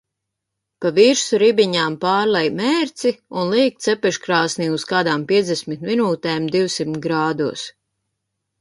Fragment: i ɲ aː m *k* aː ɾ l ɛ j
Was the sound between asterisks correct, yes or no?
no